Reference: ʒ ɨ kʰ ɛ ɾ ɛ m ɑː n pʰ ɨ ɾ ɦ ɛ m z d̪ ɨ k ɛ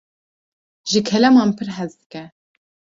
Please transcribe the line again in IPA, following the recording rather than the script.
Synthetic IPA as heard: ʒ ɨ kʰ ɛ l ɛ m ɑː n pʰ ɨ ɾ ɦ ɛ z d̪ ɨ k ɛ